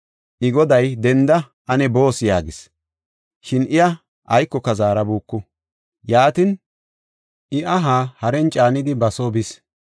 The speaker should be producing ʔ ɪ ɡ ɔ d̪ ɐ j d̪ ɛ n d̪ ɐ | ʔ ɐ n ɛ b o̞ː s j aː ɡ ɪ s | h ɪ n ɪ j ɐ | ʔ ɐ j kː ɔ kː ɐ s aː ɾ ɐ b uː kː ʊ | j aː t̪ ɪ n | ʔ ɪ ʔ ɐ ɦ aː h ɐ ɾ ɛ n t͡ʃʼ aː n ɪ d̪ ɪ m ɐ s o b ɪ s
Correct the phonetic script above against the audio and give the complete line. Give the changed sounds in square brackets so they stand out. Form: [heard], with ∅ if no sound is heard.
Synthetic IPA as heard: ʔ ɪ ɡ ɔ d̪ ɐ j d̪ ɛ n d̪ ɐ | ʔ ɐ n ɛ b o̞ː s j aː ɡ ɪ s | [ʃ] ɪ n ɪ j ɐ | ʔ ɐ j kː ɔ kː ɐ [z] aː ɾ ɐ b uː kː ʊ | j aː t̪ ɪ n | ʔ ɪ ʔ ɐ ɦ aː h ɐ ɾ ɛ n t͡ʃʼ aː n ɪ d̪ ɪ [b] ɐ s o b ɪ s

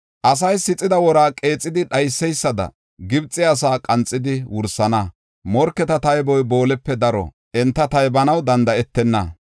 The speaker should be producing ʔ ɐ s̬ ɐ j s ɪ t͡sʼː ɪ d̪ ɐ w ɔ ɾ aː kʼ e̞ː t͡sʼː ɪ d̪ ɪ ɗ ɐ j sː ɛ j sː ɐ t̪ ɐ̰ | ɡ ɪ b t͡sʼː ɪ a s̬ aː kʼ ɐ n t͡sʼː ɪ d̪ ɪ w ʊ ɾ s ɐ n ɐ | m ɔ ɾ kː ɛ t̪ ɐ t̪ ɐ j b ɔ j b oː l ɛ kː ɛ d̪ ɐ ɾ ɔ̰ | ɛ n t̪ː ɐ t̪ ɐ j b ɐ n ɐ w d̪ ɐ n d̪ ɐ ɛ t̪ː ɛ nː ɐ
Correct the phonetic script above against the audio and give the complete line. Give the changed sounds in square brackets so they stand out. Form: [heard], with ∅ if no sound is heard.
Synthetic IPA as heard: ʔ ɐ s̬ ɐ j s ɪ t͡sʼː ɪ d̪ ɐ w ɔ ɾ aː kʼ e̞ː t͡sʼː ɪ d̪ ɪ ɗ ɐ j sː ɛ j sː ɐ [d̪] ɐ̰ | ɡ ɪ b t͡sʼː ɪ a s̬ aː kʼ ɐ n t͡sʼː ɪ d̪ ɪ w ʊ ɾ s ɐ n ɐ | m ɔ ɾ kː ɛ t̪ ɐ t̪ ɐ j b ɔ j b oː l ɛ [pː] ɛ d̪ ɐ ɾ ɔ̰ | ɛ n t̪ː ɐ t̪ ɐ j b ɐ n ɐ w d̪ ɐ n d̪ ɐ ɛ t̪ː ɛ nː ɐ

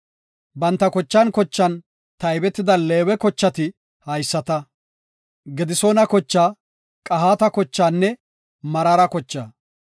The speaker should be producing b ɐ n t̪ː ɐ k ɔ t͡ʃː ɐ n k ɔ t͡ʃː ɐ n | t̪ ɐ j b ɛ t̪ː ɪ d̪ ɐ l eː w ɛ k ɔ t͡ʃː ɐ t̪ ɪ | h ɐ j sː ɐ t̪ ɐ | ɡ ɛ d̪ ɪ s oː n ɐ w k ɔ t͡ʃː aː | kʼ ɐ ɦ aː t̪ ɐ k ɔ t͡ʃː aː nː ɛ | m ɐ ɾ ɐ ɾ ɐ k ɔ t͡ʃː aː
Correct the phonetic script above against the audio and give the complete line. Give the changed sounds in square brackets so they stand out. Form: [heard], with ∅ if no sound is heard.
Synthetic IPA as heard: b ɐ n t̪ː ɐ k ɔ t͡ʃː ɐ n k ɔ t͡ʃː ɐ n | t̪ ɐ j b ɛ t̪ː ɪ d̪ ɐ l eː w ɛ k ɔ t͡ʃː ɐ t̪ ɪ | h ɐ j sː ɐ t̪ ɐ | ɡ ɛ d̪ ɪ s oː n ɐ [∅] k ɔ t͡ʃː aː | kʼ ɐ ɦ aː t̪ ɐ k ɔ t͡ʃː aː nː ɛ | m ɐ ɾ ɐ ɾ ɐ k ɔ t͡ʃː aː

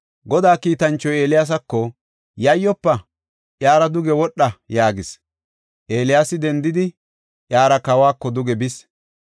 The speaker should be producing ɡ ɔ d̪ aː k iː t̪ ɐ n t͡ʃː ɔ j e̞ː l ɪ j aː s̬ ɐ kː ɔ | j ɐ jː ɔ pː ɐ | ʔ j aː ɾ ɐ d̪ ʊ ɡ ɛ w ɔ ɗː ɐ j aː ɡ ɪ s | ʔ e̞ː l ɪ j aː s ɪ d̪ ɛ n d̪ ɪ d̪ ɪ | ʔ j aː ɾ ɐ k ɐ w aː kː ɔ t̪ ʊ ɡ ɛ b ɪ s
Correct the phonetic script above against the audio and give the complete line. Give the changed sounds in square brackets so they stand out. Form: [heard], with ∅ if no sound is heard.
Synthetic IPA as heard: ɡ ɔ d̪ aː k iː t̪ ɐ n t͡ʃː ɔ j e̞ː l ɪ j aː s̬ ɐ kː ɔ | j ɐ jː ɔ pː ɐ | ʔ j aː ɾ ɐ d̪ ʊ ɡ ɛ w ɔ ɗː ɐ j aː ɡ ɪ s | ʔ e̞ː l ɪ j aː s ɪ d̪ ɛ n d̪ ɪ d̪ ɪ | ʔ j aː ɾ ɐ k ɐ w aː kː ɔ [d̪] ʊ ɡ ɛ b ɪ s

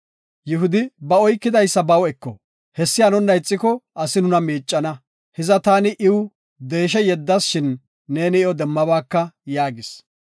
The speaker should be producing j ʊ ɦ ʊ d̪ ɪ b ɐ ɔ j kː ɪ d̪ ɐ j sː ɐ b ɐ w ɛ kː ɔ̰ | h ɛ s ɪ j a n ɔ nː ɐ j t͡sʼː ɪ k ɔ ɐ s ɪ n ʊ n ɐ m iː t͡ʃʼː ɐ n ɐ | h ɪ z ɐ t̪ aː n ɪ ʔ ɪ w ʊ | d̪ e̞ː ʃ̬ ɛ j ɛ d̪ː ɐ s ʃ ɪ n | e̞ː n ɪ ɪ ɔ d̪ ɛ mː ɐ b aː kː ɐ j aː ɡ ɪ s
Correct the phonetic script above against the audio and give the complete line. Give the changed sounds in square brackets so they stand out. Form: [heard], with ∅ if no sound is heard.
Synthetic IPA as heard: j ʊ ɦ ʊ d̪ ɪ b ɐ ɔ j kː ɪ d̪ ɐ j sː ɐ b ɐ w ɛ kː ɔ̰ | h ɛ [sː] ɪ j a n ɔ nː ɐ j t͡sʼː ɪ k ɔ ɐ s ɪ n ʊ n ɐ m iː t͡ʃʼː ɐ n ɐ | h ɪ z ɐ t̪ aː n ɪ ʔ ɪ w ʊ | d̪ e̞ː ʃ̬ ɛ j ɛ d̪ː ɐ s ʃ ɪ [nː] | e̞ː n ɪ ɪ ɔ d̪ ɛ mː ɐ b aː kː ɐ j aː ɡ ɪ s

